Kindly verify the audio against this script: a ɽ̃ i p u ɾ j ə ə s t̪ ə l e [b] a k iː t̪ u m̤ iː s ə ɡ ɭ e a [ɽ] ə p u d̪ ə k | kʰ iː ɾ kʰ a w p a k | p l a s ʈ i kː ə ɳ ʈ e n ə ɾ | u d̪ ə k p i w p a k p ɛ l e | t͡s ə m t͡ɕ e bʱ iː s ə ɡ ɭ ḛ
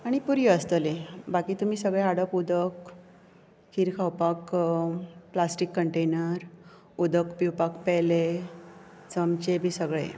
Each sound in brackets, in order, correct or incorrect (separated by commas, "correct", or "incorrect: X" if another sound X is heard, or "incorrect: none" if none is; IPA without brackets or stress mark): correct, correct